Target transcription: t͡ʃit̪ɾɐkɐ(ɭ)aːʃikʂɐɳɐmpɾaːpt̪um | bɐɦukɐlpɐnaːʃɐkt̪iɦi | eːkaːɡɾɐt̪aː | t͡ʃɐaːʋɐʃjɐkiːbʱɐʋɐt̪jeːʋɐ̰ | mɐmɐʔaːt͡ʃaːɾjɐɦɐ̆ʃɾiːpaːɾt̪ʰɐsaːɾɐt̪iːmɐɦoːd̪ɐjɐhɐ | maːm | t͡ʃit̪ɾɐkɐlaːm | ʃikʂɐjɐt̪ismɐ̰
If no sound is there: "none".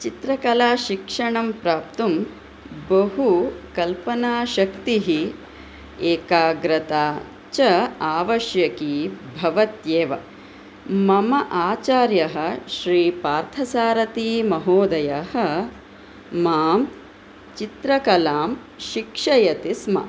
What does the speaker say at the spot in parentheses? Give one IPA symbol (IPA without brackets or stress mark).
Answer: l